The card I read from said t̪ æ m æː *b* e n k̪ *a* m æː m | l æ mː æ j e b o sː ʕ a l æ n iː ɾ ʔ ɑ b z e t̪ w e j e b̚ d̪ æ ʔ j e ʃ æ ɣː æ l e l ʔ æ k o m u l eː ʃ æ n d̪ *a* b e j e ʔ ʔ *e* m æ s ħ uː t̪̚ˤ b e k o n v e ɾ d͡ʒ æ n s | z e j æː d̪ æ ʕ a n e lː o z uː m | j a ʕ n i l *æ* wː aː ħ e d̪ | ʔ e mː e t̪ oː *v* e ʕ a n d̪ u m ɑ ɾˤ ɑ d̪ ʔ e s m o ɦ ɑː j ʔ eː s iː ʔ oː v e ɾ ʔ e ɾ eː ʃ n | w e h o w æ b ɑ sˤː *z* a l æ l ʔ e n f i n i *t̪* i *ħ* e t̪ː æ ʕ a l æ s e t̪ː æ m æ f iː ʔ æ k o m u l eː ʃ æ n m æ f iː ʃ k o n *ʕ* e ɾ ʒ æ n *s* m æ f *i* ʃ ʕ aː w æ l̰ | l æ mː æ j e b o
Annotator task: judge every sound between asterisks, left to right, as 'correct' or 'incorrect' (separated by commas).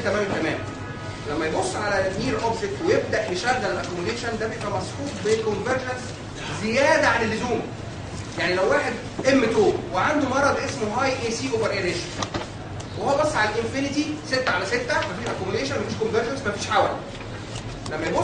incorrect, incorrect, incorrect, incorrect, correct, incorrect, incorrect, correct, incorrect, incorrect, correct, incorrect